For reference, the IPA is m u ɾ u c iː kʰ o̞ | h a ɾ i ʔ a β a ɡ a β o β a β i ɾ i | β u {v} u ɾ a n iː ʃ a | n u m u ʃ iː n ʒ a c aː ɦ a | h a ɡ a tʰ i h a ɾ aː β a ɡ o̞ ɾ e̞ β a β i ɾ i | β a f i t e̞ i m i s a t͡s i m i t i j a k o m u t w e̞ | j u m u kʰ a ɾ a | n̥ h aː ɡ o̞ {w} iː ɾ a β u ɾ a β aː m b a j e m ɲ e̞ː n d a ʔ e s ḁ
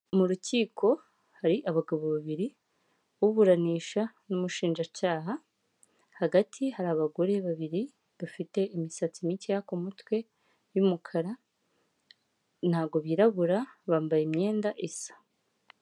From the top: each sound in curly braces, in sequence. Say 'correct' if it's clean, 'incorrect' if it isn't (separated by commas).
incorrect, incorrect